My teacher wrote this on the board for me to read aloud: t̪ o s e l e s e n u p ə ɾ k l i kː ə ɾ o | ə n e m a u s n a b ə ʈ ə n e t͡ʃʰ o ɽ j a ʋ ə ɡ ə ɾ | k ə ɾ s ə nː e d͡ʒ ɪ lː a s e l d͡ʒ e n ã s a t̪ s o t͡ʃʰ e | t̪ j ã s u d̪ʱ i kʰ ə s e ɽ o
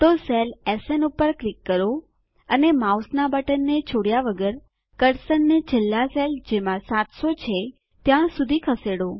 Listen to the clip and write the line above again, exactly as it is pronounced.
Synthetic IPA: t̪ o s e l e s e n u p ə ɾ k l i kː ə ɾ o | ə n e m a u s n a b ə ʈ ə nː e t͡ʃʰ o ɽ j a ʋ ə ɡ ə ɾ | k ə ɾ s ə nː e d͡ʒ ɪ lː a s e l d͡ʒ e m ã s a t̪ s o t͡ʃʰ e | t̪ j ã s u d̪ʱ i kʰ ə s e ɽ o